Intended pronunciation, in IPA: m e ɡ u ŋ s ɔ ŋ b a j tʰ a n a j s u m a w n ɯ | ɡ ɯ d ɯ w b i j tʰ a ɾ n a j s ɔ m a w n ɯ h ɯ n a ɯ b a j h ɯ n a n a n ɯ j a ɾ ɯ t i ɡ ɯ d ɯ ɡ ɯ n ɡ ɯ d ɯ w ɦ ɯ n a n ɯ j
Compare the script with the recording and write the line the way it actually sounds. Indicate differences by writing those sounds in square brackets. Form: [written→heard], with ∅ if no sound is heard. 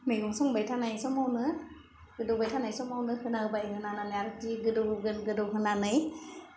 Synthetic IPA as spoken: m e ɡ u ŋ s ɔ ŋ b a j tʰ a n a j s [u→ɔ] m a w n ɯ | ɡ ɯ d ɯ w b [i→a] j tʰ a [ɾ→∅] n a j s ɔ m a w n ɯ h ɯ n a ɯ b a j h ɯ n a n a n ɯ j a ɾ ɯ t i ɡ ɯ d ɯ ɡ ɯ n ɡ ɯ d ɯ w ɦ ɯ n a n ɯ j